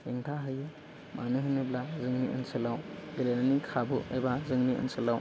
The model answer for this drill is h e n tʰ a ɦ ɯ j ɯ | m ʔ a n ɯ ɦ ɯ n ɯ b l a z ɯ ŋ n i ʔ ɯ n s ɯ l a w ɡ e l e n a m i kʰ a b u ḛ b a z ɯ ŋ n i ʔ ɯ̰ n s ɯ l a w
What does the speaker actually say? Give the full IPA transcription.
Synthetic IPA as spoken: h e ŋ tʰ a ɦ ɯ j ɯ | m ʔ a n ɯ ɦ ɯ n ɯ b l a z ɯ ŋ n i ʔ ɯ n s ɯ l a w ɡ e l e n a n i kʰ a b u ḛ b a z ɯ ŋ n i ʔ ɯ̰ n s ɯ l a w